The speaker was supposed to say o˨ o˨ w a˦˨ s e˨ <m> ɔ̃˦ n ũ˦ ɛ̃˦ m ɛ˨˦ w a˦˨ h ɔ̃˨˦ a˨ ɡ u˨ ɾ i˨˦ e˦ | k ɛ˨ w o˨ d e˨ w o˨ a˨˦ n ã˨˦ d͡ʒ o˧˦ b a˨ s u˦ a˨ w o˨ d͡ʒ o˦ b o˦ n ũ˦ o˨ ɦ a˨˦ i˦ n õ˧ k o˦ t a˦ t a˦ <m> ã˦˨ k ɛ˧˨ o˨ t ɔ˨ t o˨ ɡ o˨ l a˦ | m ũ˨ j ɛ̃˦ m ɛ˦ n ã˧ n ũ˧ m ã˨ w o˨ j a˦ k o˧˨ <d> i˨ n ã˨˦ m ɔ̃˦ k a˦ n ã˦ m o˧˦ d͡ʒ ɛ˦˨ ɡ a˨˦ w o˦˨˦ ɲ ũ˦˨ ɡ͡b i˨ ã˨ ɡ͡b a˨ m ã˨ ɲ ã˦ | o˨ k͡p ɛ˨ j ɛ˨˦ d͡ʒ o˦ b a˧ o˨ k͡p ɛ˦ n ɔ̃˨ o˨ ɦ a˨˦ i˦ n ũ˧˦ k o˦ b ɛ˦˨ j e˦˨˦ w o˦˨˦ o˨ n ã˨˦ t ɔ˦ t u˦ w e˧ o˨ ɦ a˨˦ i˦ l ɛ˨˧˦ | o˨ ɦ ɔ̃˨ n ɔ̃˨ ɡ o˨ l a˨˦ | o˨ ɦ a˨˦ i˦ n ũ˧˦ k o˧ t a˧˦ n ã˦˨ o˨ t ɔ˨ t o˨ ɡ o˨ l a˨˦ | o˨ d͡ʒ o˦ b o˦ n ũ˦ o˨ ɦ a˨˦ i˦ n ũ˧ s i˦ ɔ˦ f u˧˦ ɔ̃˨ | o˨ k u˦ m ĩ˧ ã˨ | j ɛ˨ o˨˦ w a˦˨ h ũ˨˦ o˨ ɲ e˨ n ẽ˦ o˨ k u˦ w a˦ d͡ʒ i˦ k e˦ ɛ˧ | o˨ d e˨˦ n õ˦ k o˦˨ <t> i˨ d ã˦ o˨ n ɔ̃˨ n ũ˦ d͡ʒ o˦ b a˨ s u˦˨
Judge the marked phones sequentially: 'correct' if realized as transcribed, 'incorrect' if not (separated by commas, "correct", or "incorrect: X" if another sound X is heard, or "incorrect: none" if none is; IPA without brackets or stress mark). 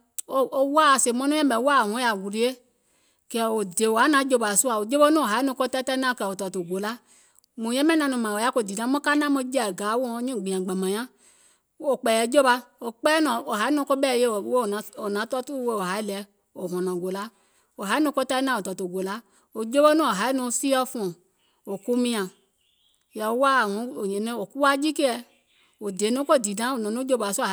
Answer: correct, incorrect: n, correct, incorrect: d